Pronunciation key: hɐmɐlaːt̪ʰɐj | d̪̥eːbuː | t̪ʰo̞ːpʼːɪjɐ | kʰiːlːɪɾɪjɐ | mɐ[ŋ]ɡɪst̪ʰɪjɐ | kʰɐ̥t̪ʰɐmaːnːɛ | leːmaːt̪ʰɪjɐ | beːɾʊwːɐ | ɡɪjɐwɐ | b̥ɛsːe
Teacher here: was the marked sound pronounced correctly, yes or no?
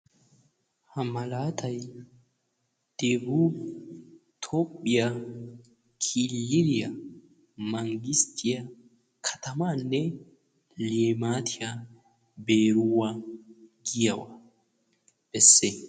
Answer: yes